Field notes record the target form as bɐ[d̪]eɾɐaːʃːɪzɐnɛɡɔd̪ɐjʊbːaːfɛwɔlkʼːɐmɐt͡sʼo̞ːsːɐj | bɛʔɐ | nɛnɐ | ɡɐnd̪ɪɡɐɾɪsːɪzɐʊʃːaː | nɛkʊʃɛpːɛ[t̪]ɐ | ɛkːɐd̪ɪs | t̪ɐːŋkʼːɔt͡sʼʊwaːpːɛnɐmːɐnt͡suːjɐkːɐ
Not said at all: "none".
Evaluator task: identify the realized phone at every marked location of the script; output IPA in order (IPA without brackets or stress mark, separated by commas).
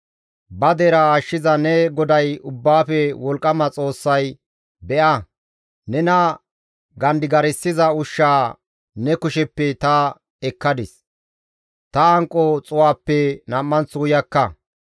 d̪, t̪